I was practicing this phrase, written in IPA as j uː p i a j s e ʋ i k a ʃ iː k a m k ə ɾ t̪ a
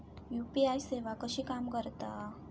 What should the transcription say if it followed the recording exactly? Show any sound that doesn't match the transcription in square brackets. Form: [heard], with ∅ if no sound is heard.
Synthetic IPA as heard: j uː p i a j s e ʋ [a] k [ə] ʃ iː k a m k ə ɾ t̪ a